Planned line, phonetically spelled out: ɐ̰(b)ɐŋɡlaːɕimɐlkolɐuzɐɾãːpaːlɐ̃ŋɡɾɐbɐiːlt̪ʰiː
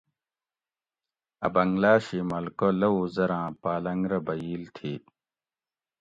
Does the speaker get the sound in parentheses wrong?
no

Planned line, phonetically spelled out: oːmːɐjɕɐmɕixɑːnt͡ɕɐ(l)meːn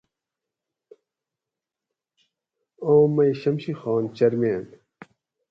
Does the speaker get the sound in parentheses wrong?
yes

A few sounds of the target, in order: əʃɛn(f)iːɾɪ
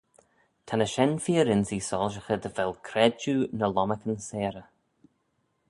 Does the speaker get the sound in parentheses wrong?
no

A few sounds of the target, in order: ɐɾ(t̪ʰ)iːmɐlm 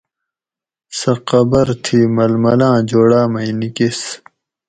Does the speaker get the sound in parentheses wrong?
no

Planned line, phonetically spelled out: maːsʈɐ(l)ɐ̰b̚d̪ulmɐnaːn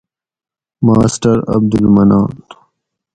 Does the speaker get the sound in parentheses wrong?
yes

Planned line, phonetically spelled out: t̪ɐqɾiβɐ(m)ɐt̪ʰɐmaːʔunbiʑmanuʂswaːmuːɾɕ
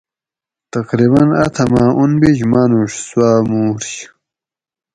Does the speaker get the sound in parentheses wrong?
yes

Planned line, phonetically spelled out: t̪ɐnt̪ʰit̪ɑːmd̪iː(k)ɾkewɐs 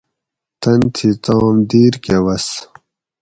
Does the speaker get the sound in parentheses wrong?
yes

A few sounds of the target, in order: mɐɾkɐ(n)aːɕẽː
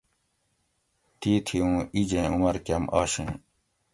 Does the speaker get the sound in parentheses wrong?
yes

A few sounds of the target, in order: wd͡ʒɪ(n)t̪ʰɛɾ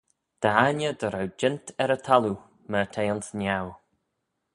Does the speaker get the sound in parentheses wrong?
no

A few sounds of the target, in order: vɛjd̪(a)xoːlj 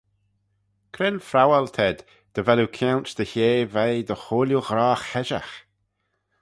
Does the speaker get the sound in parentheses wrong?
yes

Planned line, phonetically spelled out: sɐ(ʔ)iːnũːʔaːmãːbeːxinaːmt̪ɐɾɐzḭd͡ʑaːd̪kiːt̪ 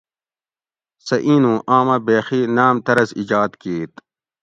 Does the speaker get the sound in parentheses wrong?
no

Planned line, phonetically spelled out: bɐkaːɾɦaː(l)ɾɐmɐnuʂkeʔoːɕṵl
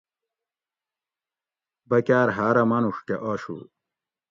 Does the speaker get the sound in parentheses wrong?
yes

